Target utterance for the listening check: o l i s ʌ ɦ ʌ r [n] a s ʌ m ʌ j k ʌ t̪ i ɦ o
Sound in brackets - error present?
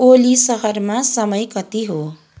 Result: yes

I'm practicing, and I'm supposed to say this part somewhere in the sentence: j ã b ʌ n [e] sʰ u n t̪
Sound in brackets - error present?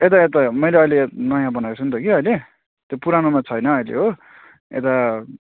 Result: yes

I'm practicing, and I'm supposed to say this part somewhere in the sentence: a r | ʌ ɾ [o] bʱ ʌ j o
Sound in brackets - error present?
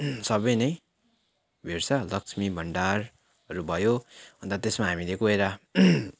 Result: yes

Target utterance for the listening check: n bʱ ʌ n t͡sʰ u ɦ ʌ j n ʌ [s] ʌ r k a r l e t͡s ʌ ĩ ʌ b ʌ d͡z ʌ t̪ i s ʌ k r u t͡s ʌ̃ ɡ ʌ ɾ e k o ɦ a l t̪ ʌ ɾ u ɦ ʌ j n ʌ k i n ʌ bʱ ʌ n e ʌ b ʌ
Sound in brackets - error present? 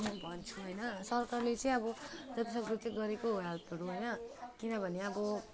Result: no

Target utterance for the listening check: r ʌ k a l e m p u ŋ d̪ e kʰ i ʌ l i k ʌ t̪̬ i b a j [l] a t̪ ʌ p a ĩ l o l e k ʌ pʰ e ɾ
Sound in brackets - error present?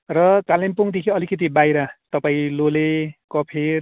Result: yes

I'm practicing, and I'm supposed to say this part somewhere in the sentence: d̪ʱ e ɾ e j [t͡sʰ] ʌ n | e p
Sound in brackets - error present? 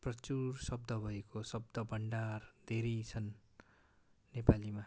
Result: no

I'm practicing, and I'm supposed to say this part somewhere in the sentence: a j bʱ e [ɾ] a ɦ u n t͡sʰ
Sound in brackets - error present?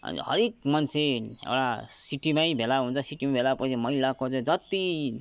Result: yes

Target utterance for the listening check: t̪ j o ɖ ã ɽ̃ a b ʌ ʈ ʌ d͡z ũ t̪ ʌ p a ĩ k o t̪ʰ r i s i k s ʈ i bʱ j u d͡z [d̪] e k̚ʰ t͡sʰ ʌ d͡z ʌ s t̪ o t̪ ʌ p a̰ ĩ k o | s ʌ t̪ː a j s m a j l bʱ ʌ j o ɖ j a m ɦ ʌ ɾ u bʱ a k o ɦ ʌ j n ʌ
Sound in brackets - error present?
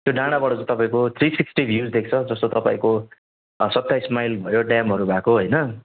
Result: no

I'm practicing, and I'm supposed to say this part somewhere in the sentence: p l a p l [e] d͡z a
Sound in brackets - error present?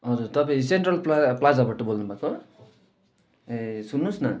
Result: yes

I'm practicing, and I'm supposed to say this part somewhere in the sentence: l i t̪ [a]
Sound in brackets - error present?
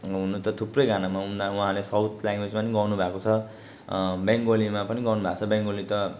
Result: yes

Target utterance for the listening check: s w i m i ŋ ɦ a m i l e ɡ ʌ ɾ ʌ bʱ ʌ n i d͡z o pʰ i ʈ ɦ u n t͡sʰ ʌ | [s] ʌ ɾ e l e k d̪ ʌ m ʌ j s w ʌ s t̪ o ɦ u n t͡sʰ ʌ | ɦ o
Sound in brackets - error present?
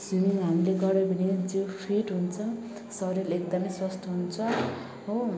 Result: no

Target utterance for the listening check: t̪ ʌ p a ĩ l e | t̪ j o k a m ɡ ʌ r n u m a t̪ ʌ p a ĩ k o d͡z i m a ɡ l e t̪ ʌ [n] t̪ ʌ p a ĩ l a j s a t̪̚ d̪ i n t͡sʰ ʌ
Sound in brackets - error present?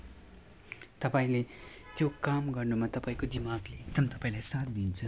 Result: yes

